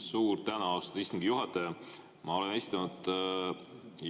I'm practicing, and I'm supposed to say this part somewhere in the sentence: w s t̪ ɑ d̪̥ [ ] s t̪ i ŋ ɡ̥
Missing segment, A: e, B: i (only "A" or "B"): B